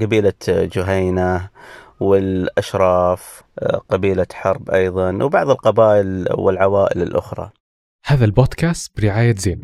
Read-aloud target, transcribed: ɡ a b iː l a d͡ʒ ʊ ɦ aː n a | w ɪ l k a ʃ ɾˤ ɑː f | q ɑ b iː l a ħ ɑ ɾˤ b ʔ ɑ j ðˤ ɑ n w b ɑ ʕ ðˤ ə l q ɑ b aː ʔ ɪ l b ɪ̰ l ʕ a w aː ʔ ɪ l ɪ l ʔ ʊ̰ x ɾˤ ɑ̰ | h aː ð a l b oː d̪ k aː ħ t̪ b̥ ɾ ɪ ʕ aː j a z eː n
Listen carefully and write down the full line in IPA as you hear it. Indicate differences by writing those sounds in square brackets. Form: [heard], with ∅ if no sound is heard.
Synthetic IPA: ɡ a b iː l a d͡ʒ ʊ ɦ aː n a | w ɪ l [ʔ] a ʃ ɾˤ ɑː f | q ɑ b iː l a ħ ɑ ɾˤ b ʔ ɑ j ðˤ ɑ n w b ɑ ʕ ðˤ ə l q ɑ b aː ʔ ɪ l [w] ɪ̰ l ʕ a w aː ʔ ɪ l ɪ l ʔ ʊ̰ x ɾˤ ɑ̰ | h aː ð a l b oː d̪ k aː [s] t̪ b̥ ɾ ɪ ʕ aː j a z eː n